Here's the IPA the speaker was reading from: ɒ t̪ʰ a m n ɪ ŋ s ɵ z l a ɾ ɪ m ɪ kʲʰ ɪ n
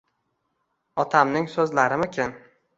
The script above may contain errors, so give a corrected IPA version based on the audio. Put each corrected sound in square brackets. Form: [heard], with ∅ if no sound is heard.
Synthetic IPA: ɒ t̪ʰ a m n ɪ ŋ s ɵ z l a ɾ ɪ m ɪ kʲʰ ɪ n